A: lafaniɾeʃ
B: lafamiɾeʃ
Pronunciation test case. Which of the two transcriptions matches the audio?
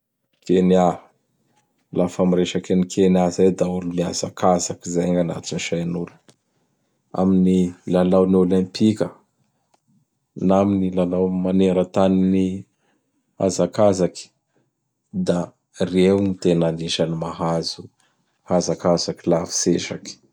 B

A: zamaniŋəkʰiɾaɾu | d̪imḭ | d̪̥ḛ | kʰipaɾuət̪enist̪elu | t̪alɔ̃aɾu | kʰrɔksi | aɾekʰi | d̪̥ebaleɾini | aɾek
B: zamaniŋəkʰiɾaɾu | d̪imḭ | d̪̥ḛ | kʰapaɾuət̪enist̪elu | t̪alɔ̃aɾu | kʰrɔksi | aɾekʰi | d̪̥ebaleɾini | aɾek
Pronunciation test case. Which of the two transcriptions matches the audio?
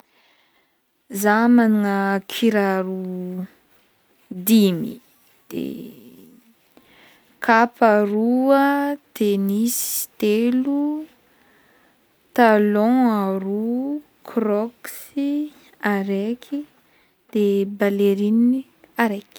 B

